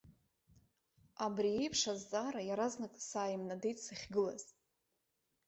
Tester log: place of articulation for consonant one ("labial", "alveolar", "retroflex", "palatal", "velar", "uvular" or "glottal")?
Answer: labial